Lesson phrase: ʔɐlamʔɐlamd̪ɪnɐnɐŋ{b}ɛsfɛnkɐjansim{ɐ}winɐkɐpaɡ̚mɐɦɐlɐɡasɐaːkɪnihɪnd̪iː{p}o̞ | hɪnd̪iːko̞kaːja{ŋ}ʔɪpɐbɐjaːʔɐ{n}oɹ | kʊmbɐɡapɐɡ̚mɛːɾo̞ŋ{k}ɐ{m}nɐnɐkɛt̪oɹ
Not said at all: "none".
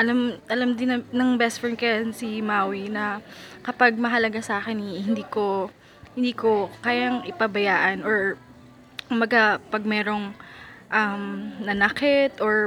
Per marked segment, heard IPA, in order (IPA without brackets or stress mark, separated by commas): b, a, k, ŋ, n, ʔ, m